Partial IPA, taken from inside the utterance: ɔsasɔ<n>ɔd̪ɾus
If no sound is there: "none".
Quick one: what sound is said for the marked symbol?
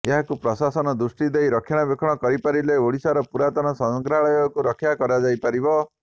n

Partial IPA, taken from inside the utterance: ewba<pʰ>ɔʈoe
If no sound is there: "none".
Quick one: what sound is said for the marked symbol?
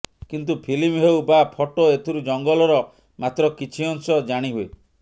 pʰ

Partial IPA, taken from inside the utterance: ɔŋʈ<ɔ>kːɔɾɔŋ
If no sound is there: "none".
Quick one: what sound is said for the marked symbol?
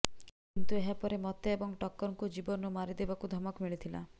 ɔ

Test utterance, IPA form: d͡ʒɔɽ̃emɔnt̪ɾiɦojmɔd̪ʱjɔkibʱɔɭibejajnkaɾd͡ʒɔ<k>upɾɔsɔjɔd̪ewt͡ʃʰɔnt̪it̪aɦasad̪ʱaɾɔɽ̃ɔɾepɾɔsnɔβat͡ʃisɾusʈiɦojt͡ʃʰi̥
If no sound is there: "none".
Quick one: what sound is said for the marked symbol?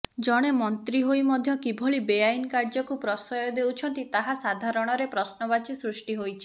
k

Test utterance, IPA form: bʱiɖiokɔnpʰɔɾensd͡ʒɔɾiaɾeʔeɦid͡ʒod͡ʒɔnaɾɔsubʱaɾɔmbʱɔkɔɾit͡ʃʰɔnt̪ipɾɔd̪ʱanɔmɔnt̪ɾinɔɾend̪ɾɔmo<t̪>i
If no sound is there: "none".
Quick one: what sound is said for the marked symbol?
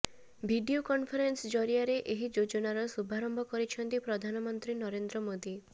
d̪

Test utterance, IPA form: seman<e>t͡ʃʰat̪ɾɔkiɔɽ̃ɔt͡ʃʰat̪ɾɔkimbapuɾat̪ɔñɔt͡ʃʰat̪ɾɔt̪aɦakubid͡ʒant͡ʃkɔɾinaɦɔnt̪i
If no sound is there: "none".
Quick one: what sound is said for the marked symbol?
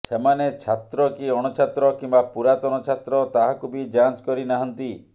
e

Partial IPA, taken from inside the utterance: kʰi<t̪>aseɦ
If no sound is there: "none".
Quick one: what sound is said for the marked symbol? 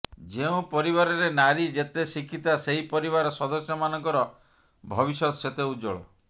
t̪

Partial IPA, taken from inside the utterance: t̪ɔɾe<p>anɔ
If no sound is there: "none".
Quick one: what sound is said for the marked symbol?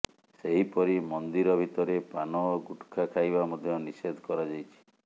p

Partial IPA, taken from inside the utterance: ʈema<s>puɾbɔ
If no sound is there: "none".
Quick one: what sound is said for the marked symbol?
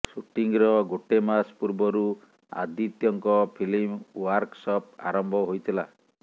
s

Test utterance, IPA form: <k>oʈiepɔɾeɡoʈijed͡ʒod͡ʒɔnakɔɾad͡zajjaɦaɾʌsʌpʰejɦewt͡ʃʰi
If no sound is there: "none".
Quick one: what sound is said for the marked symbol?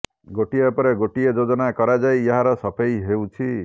ɡ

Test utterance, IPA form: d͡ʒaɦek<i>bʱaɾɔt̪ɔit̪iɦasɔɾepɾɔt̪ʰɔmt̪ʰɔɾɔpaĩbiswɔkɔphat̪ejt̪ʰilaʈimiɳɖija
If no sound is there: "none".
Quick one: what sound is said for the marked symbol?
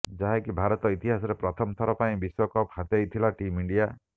i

